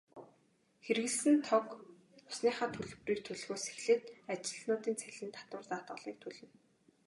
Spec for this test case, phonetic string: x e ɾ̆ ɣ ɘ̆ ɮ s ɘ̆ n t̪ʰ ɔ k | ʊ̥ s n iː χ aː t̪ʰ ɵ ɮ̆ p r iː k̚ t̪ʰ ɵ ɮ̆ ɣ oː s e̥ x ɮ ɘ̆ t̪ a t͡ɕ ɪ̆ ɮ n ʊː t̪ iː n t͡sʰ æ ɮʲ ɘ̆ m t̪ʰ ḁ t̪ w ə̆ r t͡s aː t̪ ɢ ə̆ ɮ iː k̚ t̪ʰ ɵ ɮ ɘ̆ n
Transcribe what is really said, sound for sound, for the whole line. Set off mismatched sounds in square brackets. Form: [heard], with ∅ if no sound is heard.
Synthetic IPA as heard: x e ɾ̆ ɣ ɘ̆ ɮ s ɘ̆ n t̪ʰ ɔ k | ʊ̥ s n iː χ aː t̪ʰ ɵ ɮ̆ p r iː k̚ t̪ʰ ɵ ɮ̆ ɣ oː s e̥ x ɮ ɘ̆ t̪ a t͡ɕ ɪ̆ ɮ n ʊː t̪ iː n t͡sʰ æ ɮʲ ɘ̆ [n] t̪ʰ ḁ t̪ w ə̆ r t͡s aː t̪ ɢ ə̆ ɮ iː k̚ t̪ʰ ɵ ɮ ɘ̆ n